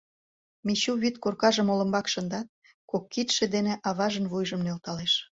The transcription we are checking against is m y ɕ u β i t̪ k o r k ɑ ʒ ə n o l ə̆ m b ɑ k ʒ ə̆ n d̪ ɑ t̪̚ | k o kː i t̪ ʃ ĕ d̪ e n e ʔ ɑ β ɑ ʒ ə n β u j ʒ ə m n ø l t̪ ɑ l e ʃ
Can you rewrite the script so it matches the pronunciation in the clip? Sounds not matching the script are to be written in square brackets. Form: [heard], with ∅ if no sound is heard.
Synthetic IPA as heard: m [i] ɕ u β i t̪ k o r k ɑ ʒ ə [m] o l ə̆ m b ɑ k [ʃ] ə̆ n d̪ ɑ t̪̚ | k o kː i t̪ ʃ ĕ d̪ e n e ʔ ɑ β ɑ ʒ ə n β u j ʒ ə m n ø l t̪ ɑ l e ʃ